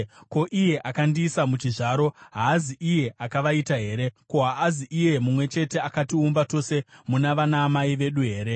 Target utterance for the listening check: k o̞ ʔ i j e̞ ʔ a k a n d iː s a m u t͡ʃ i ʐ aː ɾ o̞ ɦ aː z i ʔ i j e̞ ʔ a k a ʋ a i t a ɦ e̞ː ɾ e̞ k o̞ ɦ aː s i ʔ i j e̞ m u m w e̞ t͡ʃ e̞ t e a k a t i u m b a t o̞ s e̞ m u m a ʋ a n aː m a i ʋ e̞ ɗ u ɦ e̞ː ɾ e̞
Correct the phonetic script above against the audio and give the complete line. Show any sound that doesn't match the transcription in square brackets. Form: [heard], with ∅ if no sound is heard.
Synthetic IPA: k o̞ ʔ i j e̞ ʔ a k a n d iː s a m u t͡ʃ i ʐ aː ɾ o̞ ɦ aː z i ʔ i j e̞ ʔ a k a ʋ a i t a ɦ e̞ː ɾ e̞ k o̞ ɦ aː [z] i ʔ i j e̞ m u m w e̞ t͡ʃ e̞ t e a k a t i u m b a t o̞ s e̞ m u [n] a ʋ a n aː m a i ʋ e̞ ɗ u ɦ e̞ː ɾ e̞